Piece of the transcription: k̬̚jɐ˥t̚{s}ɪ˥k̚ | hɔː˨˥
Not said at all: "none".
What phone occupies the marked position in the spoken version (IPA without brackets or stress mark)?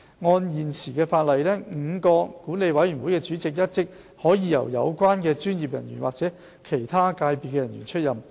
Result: t͡s